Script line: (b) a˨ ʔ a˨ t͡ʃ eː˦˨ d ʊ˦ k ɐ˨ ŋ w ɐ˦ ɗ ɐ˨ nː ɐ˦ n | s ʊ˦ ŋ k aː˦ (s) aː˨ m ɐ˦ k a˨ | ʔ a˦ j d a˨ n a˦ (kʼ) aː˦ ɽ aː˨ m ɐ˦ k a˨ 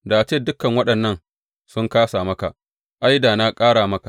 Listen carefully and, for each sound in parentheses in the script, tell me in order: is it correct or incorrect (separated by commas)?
incorrect, correct, correct